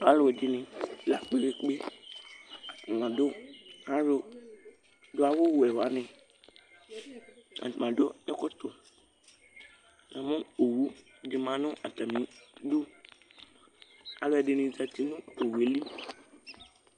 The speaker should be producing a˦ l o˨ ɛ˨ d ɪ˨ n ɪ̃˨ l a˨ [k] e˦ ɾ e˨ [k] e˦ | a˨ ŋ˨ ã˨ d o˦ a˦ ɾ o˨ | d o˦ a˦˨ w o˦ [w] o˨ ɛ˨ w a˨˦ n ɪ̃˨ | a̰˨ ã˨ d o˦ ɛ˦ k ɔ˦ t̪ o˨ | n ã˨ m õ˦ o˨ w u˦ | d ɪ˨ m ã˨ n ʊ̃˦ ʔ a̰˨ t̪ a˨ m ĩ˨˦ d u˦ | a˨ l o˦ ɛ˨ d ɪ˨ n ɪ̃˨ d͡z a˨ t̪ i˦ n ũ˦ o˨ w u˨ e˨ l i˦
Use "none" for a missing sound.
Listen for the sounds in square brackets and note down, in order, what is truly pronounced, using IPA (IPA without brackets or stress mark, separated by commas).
k͡p, k͡p, w